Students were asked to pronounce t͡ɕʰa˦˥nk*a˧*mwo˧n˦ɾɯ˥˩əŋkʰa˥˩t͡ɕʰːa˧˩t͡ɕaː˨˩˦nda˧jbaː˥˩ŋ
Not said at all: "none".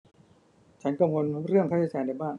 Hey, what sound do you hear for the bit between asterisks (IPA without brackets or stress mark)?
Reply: a˧